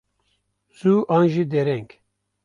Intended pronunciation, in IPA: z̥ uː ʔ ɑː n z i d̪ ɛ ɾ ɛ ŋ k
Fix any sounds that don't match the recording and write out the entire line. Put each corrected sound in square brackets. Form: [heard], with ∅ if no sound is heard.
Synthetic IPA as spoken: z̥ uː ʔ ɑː n [ʒ] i d̪ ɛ ɾ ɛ ŋ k